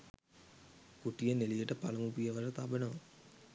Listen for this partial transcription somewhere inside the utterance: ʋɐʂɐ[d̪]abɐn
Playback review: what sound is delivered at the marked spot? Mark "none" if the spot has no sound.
t̪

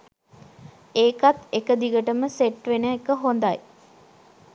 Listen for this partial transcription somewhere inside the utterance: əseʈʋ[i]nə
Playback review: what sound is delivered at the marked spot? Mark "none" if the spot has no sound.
e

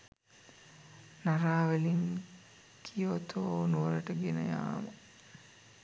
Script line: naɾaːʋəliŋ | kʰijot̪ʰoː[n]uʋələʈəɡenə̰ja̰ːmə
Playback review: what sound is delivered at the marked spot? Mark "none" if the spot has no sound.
n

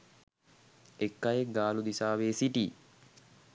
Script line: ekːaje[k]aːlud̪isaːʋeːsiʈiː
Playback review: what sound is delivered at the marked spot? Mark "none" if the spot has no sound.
ɡ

